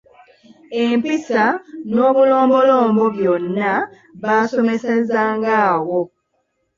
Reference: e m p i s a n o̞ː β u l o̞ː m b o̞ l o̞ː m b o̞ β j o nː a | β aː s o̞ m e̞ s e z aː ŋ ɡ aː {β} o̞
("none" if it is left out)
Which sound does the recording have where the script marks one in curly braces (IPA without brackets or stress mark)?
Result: w